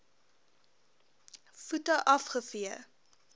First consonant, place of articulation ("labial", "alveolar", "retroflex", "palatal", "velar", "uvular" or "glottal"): labial